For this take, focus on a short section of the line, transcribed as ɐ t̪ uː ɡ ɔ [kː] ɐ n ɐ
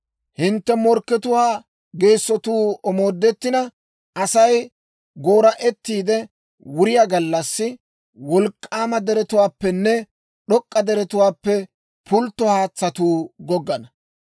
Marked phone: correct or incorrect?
incorrect